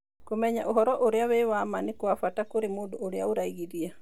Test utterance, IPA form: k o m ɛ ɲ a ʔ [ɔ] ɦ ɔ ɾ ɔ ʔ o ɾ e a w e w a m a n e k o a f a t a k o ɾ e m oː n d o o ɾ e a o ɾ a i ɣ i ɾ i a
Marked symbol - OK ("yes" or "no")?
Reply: no